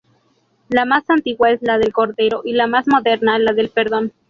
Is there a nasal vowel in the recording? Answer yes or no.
no